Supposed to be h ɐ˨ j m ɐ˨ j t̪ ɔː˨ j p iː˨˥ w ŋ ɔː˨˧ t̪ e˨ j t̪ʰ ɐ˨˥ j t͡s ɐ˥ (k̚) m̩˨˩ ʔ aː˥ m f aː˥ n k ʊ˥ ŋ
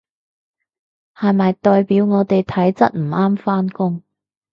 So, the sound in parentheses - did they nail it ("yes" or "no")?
no